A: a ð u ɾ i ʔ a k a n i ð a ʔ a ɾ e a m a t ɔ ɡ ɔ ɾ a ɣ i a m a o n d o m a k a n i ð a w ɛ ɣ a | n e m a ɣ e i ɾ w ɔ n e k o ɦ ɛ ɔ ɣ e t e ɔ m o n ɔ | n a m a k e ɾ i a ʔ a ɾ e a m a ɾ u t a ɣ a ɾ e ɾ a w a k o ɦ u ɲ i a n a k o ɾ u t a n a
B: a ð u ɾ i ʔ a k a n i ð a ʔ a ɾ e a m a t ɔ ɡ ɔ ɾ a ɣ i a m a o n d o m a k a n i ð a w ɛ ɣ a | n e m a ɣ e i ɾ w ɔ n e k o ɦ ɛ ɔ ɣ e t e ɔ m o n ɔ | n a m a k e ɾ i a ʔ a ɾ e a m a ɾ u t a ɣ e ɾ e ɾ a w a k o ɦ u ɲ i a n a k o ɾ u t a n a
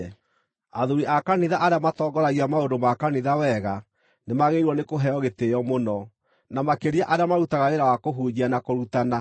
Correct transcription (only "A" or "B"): A